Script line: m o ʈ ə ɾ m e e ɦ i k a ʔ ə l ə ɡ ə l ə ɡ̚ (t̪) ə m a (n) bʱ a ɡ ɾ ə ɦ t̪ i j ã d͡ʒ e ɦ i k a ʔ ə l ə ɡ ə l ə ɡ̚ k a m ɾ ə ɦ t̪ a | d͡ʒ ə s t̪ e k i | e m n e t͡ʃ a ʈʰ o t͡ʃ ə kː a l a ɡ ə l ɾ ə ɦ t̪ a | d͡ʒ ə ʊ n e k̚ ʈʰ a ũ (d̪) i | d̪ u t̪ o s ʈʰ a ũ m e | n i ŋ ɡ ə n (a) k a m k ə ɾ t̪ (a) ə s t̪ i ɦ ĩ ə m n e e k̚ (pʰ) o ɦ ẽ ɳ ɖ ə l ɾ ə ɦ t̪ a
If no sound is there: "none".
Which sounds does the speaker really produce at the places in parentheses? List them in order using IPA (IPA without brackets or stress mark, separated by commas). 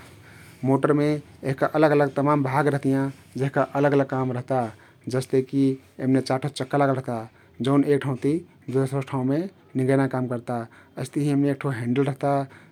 t̪, m, t̪, a, a, ʈʰ